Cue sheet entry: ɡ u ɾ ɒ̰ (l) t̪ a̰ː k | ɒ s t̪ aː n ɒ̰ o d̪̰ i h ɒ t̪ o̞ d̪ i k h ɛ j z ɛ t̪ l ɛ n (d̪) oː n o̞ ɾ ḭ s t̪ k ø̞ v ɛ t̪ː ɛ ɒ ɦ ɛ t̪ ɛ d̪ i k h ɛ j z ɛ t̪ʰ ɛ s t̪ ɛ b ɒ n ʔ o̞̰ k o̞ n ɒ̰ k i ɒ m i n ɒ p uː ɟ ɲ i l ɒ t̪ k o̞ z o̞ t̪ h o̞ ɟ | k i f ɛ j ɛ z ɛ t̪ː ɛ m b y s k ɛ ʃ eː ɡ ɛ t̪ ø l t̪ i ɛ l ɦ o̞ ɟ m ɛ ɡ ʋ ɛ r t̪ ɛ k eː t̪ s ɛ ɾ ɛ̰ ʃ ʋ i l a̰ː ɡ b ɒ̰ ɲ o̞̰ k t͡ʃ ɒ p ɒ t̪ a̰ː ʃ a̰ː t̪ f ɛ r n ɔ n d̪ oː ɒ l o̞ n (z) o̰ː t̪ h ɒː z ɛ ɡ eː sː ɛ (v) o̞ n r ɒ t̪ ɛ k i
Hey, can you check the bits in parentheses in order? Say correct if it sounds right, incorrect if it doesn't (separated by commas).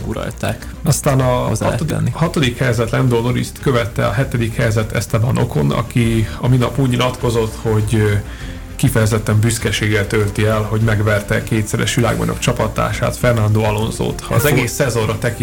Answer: correct, correct, correct, incorrect